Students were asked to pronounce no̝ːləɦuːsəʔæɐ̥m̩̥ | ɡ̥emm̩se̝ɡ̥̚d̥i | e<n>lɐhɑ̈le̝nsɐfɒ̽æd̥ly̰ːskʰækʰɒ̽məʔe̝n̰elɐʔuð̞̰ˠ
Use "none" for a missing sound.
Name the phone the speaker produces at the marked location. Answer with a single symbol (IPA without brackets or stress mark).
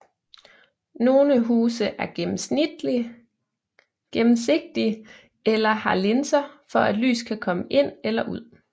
none